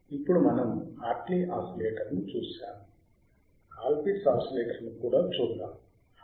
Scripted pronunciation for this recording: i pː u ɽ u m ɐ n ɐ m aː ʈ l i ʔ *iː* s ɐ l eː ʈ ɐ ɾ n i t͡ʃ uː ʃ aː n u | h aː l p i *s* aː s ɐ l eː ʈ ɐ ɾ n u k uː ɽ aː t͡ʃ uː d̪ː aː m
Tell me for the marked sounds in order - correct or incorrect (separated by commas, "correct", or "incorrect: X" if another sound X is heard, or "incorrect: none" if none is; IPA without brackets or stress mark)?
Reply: incorrect: aː, correct